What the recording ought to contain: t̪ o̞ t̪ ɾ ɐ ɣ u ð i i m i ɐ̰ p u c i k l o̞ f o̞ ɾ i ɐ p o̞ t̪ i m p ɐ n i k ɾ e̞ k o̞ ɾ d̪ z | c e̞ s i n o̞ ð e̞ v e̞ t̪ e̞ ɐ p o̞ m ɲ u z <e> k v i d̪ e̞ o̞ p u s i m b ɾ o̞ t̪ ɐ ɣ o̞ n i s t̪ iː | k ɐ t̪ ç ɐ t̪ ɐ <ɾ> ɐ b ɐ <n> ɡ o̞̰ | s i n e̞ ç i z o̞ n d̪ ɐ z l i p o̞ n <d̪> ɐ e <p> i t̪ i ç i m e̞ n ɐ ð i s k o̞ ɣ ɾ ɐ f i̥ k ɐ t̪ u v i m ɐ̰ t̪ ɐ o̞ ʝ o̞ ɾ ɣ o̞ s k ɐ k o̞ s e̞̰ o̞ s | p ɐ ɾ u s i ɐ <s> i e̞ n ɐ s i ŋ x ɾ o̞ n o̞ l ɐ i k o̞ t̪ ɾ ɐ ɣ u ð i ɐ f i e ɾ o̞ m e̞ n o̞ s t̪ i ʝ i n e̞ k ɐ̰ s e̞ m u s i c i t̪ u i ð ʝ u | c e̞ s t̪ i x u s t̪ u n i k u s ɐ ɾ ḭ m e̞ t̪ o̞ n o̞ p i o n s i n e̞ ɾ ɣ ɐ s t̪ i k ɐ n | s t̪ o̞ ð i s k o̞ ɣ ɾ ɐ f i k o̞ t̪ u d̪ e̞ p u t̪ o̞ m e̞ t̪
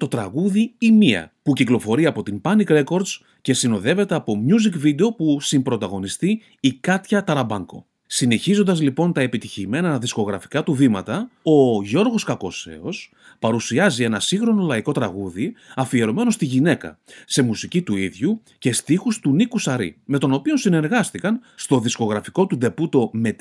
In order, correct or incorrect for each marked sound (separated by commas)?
incorrect, correct, incorrect, incorrect, correct, incorrect